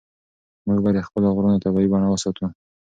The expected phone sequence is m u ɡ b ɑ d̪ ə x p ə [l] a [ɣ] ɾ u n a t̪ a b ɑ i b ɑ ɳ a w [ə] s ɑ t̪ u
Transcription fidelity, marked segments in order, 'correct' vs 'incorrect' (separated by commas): correct, correct, correct